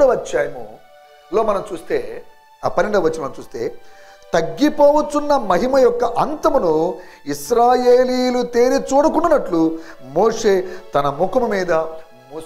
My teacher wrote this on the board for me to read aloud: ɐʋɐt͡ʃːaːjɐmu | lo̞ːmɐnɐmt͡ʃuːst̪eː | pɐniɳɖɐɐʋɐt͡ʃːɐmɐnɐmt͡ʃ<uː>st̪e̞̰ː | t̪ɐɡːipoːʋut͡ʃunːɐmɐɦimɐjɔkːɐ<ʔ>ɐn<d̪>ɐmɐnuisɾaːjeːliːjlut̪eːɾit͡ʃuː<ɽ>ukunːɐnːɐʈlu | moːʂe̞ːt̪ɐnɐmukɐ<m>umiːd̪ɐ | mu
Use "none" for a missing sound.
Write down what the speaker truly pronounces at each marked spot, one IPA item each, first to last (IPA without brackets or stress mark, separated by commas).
uː, ʔ, t̪, ɽ, m